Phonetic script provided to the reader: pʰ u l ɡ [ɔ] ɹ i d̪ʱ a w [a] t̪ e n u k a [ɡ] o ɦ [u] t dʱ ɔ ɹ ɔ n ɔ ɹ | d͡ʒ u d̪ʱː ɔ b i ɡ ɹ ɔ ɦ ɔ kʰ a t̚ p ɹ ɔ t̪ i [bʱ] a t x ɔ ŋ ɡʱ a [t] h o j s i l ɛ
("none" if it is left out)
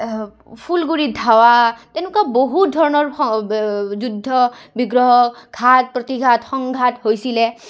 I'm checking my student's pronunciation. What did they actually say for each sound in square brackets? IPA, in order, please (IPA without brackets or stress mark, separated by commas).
u, a, b, u, ɡʱ, t